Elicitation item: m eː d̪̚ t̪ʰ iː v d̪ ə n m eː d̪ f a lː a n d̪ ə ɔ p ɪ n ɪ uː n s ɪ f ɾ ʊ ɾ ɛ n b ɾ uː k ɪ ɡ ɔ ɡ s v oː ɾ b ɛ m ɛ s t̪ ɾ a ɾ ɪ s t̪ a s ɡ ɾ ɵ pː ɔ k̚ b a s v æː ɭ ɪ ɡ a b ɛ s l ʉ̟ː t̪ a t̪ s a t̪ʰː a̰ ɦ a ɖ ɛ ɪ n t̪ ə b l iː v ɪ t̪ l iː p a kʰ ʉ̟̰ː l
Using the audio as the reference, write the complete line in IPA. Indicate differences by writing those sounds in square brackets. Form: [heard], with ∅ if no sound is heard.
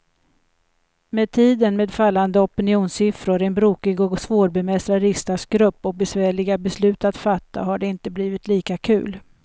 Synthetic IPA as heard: m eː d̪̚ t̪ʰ iː [∅] d̪ ə n m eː d̪ f a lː a n d̪ ə ɔ p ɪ n ɪ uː n s ɪ f ɾ ʊ ɾ ɛ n b ɾ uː k ɪ ɡ ɔ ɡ s v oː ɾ b ɛ m ɛ s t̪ ɾ a ɾ ɪ s t̪ a s ɡ ɾ ɵ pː ɔ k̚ b [ɛ] s v æː ɭ ɪ ɡ a b ɛ s l ʉ̟ː t̪ a t̪ [f] a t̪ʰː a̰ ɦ a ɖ ɛ ɪ n t̪ ə b l iː v ɪ t̪ l iː [k] a kʰ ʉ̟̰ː l